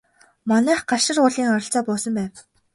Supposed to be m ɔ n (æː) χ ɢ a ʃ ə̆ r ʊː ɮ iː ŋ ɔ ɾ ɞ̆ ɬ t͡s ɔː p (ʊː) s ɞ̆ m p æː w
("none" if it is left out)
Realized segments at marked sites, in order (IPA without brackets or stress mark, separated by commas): æː, ʊː